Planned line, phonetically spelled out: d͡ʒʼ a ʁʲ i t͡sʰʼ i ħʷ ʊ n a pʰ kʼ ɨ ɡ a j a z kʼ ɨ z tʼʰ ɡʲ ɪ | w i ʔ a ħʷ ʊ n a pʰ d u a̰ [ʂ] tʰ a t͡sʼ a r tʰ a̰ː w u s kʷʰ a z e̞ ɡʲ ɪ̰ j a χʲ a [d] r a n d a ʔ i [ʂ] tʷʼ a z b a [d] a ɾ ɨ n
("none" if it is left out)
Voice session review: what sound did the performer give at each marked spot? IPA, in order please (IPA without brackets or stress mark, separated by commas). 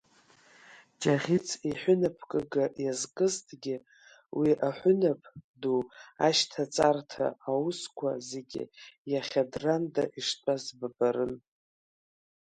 ʃ, d, ʂ, b